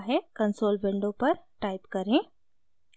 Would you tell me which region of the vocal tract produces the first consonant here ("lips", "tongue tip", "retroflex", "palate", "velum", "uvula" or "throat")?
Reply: throat